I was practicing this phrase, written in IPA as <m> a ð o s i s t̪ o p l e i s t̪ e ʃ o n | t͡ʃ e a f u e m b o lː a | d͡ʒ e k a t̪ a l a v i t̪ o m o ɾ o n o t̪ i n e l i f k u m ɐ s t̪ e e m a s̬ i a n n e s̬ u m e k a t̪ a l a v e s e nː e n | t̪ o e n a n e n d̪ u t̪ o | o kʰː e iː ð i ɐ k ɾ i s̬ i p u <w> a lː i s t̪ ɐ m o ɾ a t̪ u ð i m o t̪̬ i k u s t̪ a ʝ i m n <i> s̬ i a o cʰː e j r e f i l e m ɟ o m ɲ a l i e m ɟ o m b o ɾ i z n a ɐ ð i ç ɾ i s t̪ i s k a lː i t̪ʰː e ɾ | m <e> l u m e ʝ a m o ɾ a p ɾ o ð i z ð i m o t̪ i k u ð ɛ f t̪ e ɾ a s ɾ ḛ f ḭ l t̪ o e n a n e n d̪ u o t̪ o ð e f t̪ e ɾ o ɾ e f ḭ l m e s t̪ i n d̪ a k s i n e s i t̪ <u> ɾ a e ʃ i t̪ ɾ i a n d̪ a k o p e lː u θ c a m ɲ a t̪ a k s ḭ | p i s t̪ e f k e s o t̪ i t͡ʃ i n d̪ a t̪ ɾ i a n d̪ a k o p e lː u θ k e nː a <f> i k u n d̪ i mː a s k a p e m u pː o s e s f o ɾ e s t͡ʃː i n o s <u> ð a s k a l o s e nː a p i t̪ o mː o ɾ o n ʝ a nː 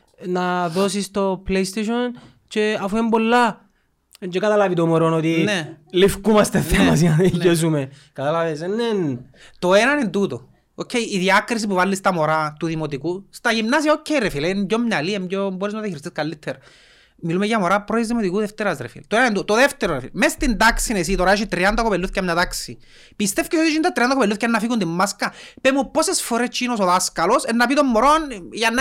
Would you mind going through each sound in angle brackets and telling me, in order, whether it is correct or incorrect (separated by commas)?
incorrect, incorrect, incorrect, incorrect, incorrect, correct, incorrect